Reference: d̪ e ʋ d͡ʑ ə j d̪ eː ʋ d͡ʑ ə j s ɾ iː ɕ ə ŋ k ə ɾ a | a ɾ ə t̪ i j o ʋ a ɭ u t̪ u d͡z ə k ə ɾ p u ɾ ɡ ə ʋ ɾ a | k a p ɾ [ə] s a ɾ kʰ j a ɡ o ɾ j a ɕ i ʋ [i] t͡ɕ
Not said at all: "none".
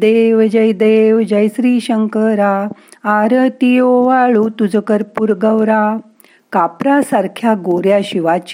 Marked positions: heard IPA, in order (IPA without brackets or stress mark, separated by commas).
a, a